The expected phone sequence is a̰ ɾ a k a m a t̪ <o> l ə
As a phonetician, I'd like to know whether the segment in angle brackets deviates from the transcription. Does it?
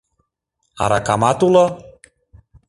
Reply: yes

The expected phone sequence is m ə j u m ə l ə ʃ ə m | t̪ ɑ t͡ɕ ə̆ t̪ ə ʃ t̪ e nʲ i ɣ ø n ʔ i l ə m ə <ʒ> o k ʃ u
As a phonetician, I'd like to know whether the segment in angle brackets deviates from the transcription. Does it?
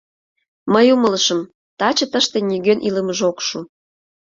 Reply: no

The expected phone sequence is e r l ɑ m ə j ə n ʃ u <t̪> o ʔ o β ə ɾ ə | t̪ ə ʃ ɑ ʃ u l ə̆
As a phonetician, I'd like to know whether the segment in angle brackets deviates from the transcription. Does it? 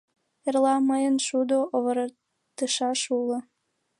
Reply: yes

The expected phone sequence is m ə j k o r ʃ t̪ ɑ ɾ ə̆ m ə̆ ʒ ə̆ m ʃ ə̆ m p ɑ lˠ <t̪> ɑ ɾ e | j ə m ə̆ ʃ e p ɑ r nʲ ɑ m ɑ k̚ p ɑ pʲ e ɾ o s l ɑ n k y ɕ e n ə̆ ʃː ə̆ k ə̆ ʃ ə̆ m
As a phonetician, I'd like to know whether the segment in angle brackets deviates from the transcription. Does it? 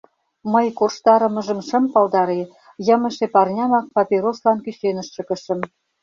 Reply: yes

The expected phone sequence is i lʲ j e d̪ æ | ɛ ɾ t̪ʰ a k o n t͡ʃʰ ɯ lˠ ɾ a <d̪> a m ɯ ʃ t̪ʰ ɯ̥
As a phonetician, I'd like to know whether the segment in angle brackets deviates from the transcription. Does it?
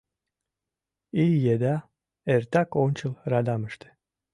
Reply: no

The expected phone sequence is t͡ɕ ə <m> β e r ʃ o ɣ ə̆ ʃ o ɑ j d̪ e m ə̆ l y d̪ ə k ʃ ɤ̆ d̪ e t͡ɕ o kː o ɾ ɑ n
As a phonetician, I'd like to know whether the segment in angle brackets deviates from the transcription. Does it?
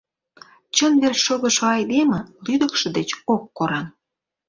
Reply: yes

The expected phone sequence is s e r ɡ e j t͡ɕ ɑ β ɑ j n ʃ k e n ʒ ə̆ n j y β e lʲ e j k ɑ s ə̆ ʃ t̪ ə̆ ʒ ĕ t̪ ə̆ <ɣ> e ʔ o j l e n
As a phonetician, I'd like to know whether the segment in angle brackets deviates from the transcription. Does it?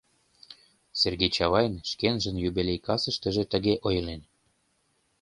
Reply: no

